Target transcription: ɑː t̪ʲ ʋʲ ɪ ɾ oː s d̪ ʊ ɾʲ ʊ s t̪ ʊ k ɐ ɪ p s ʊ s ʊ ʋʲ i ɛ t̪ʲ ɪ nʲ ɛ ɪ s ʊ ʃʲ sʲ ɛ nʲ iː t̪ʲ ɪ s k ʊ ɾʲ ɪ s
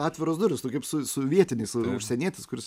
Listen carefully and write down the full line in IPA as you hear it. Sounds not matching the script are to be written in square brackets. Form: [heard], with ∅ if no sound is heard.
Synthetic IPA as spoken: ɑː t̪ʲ ʋʲ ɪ ɾ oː s d̪ ʊ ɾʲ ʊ s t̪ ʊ k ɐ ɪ p s ʊ s ʊ ʋʲ i ɛ t̪ʲ ɪ nʲ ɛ ɪ s ʊ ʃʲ sʲ ɛ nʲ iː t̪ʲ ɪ s k ʊ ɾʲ ɪ s

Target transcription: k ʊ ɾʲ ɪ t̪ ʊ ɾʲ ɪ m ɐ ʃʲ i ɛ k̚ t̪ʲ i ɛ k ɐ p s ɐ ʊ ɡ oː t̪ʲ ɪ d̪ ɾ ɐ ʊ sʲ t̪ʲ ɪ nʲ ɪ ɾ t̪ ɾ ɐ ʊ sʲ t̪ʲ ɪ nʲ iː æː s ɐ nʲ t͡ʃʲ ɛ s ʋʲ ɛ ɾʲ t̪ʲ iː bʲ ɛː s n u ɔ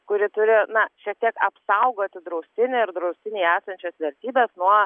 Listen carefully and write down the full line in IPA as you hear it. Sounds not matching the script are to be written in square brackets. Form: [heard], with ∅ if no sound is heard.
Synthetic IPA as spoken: k ʊ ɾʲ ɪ t̪ ʊ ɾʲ ɪ [n] ɐ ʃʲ i ɛ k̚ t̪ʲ i ɛ k ɐ p s ɐ ʊ ɡ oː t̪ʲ ɪ d̪ ɾ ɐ ʊ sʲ t̪ʲ ɪ nʲ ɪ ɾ [d̪] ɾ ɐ ʊ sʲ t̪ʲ ɪ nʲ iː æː s ɐ nʲ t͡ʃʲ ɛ s ʋʲ ɛ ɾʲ t̪ʲ iː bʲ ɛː s n u ɔ

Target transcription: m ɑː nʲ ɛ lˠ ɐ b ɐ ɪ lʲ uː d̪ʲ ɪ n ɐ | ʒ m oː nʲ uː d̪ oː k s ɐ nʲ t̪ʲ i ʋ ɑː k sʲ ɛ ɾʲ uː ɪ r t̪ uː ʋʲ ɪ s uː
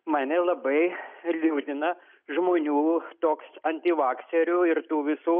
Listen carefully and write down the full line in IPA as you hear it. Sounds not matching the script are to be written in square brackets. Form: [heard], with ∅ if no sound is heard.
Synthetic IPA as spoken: m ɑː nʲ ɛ lˠ ɐ b ɐ ɪ lʲ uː d̪ʲ ɪ n ɐ | ʒ m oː nʲ uː [t̪] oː k s ɐ nʲ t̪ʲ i ʋ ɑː k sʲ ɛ ɾʲ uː ɪ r t̪ uː ʋʲ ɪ s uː

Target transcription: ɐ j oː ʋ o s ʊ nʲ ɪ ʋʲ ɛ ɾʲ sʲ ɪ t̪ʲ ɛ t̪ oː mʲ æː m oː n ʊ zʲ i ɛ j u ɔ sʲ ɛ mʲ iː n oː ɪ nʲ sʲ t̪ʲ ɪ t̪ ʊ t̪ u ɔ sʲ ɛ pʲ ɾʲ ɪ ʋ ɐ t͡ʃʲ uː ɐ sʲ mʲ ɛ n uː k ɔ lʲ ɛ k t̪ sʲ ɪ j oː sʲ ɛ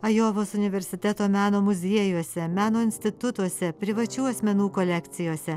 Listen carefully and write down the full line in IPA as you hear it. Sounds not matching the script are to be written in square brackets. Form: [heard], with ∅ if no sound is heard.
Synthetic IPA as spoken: ɐ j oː ʋ o s ʊ nʲ ɪ ʋʲ ɛ ɾʲ sʲ ɪ t̪ʲ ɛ t̪ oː mʲ æː [n] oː [m] ʊ zʲ i ɛ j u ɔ sʲ ɛ mʲ [æː] n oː ɪ nʲ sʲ t̪ʲ ɪ t̪ ʊ t̪ u ɔ sʲ ɛ pʲ ɾʲ ɪ ʋ ɐ t͡ʃʲ uː ɐ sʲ mʲ ɛ n uː k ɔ lʲ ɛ k t̪ sʲ ɪ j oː sʲ ɛ

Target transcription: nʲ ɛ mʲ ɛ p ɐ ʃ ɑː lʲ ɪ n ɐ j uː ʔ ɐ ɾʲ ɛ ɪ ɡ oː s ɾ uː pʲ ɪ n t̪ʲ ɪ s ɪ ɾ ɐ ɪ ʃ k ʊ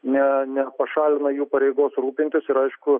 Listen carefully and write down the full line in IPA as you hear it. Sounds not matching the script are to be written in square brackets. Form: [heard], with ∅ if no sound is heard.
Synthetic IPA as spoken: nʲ ɛ [nʲ] ɛ p ɐ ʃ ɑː lʲ ɪ n ɐ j uː [p] ɐ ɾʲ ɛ ɪ ɡ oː s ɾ uː pʲ ɪ n t̪ʲ ɪ s ɪ ɾ ɐ ɪ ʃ k ʊ

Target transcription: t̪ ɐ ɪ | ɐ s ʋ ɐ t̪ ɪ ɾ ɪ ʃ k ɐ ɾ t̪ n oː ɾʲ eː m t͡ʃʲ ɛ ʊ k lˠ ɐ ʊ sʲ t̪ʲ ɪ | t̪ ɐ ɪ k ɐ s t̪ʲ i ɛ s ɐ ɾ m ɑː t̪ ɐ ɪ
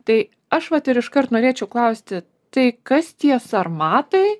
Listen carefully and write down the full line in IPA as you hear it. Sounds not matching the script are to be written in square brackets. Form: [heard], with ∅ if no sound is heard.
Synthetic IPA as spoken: t̪ ɐ ɪ | ɐ [ʃ] ʋ ɐ t̪ ɪ ɾ ɪ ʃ k ɐ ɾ t̪ n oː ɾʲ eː [∅] t͡ʃʲ ɛ ʊ k lˠ ɐ ʊ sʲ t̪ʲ ɪ | t̪ ɐ ɪ k ɐ s t̪ʲ i ɛ s ɐ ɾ m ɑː t̪ ɐ ɪ

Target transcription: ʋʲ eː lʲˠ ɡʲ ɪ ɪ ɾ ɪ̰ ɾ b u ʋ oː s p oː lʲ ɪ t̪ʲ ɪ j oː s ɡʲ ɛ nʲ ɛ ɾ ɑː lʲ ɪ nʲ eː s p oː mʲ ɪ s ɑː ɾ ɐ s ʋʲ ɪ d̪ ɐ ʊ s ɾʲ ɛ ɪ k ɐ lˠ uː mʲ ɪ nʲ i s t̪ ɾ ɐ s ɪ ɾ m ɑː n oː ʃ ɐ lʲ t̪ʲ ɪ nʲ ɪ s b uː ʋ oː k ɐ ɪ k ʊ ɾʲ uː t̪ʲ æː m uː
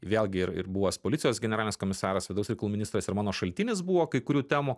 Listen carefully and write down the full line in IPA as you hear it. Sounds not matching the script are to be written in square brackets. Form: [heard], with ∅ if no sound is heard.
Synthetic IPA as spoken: ʋʲ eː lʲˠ ɡʲ ɪ ɪ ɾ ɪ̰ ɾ b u ʋ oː s p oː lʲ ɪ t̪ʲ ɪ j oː s ɡʲ ɛ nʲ ɛ ɾ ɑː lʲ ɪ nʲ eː s [k] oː mʲ ɪ s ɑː ɾ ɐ s ʋʲ ɪ d̪ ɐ ʊ s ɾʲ ɛ ɪ k ɐ lˠ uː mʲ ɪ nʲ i s t̪ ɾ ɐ s ɪ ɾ m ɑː n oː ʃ ɐ lʲ t̪ʲ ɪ nʲ ɪ s b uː ʋ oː k ɐ ɪ k ʊ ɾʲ uː t̪ʲ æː m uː

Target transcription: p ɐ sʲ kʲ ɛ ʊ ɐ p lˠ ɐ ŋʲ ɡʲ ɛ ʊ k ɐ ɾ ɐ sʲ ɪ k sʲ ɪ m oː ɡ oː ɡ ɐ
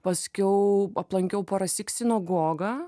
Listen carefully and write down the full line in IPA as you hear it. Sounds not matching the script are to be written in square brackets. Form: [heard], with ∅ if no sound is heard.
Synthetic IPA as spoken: p ɐ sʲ kʲ ɛ ʊ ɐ p lˠ ɐ ŋʲ [kʲ] ɛ ʊ [p] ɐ ɾ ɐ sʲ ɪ k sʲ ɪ [n] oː ɡ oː ɡ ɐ

